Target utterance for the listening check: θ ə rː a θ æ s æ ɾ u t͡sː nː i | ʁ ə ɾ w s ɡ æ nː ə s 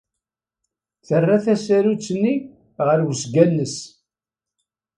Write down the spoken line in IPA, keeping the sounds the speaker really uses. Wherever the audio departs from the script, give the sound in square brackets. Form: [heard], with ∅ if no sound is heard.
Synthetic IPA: θ ə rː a θ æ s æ ɾ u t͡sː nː i | ʁ ə ɾ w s ɡ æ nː ə s